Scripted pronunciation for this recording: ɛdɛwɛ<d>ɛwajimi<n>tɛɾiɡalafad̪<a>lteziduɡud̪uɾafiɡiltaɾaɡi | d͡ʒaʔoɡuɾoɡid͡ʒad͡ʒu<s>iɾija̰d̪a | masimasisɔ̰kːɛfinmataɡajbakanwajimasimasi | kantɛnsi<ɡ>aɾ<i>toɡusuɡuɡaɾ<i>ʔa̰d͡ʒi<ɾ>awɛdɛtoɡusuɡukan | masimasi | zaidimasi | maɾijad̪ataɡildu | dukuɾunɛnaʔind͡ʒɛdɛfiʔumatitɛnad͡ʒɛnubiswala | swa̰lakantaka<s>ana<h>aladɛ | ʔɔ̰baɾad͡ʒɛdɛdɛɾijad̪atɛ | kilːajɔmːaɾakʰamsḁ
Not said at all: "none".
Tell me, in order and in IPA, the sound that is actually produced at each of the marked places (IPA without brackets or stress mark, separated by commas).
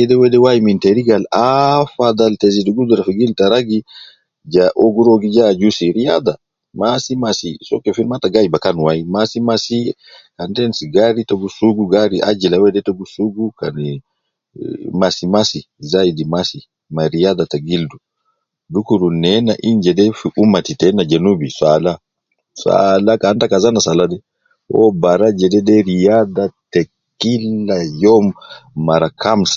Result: d, n, a, s, ɡ, i, i, l, z, s